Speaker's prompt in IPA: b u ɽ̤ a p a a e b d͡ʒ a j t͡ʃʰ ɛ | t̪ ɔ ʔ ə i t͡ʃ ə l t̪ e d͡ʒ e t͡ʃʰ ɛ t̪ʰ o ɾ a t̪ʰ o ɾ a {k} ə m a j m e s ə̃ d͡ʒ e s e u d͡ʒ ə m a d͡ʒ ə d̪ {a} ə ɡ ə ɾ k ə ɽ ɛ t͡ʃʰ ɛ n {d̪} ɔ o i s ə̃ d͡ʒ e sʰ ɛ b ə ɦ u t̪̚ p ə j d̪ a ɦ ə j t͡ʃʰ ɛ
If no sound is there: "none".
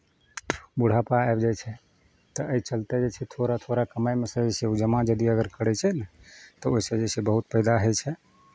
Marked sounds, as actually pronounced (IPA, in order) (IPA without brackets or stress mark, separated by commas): k, i, t̪